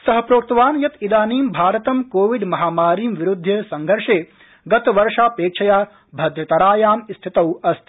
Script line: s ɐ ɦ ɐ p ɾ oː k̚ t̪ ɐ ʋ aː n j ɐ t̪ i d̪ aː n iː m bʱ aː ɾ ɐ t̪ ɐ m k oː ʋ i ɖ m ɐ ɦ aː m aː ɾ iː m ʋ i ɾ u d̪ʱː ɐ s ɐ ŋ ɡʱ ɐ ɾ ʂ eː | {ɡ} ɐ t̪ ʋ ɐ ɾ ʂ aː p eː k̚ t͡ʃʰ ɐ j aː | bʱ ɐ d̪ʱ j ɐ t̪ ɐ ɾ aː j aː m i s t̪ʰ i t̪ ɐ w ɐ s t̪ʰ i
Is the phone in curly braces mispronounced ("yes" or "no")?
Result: no